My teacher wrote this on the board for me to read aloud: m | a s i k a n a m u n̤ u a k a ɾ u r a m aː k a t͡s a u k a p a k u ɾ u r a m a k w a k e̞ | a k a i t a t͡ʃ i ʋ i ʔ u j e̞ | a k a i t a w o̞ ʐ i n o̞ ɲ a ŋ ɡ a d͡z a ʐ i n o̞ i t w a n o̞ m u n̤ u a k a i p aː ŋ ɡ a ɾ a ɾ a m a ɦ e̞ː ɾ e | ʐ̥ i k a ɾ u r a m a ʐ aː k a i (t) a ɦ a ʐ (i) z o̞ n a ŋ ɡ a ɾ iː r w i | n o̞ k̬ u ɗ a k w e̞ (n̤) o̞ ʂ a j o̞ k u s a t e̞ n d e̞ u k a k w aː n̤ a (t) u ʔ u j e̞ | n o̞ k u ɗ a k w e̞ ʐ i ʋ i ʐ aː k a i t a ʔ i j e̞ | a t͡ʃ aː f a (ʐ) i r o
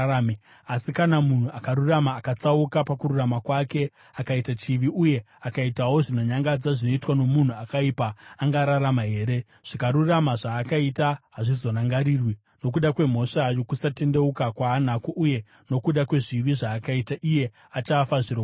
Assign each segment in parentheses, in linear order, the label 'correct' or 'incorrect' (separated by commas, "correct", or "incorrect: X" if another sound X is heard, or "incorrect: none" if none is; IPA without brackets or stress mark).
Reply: correct, correct, incorrect: m̤, incorrect: k, correct